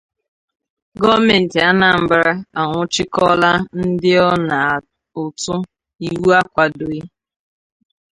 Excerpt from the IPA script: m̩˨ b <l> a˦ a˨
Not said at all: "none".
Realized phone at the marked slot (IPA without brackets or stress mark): ɾ